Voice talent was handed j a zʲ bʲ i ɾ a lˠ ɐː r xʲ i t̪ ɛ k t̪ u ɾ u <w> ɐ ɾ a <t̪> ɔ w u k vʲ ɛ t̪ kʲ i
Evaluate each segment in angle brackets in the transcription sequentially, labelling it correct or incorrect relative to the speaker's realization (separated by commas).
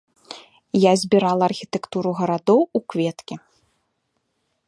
incorrect, incorrect